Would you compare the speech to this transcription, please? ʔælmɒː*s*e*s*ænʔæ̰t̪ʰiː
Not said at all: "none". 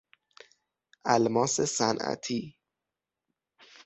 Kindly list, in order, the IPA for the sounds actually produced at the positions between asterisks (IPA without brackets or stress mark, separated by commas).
s, s